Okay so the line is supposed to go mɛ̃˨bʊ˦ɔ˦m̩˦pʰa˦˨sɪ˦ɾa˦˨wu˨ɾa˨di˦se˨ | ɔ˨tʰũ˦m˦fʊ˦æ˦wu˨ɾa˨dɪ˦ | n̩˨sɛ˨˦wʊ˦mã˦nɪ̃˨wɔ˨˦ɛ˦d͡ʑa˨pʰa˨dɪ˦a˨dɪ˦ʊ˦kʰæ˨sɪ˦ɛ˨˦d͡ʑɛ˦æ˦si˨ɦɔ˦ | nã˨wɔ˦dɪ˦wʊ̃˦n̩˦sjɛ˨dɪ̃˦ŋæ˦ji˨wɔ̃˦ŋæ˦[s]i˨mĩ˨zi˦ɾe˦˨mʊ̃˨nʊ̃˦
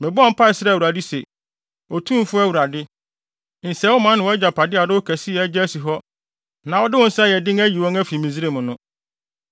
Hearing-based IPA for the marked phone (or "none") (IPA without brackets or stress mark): f